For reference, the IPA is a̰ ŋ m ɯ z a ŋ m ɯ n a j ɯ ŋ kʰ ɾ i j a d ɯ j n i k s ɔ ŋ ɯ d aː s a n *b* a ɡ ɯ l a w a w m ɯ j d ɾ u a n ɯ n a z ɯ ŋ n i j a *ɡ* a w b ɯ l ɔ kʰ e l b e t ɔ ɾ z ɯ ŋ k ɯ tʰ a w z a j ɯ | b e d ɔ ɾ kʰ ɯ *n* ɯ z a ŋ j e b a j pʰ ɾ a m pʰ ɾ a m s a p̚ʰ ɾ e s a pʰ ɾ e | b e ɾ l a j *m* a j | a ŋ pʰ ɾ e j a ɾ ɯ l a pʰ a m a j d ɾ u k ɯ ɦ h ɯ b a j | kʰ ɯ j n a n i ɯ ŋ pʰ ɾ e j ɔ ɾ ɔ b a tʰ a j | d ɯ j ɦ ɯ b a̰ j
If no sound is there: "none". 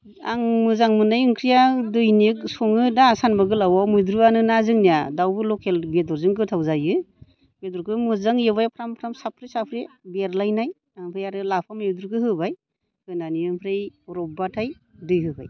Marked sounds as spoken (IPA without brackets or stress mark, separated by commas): b, d, m, n